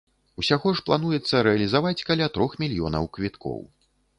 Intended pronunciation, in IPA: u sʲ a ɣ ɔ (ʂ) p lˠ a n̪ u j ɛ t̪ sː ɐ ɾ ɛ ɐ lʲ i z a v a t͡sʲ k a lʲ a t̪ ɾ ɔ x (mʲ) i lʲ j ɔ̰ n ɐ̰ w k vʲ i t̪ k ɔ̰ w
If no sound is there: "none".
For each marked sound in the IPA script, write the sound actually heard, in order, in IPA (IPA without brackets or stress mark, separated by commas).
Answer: ʂ, mʲ